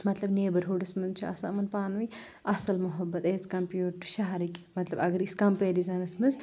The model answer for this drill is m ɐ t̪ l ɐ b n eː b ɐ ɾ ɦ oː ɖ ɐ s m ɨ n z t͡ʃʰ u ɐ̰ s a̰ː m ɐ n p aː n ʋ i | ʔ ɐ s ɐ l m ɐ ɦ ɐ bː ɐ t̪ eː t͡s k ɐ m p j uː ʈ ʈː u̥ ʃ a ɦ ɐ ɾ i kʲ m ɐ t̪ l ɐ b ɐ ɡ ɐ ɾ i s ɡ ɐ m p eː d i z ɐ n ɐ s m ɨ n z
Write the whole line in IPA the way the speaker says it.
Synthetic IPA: m ɐ t̪ l ɐ b n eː b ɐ ɾ ɦ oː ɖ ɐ s m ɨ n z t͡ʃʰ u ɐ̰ s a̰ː m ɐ n p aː n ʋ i | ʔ ɐ s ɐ l m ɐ ɦ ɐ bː ɐ t̪ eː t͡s k ɐ m p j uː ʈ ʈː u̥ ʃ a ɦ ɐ ɾ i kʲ m ɐ t̪ l ɐ b ɐ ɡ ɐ ɾ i s k ɐ m p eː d i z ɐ n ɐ s m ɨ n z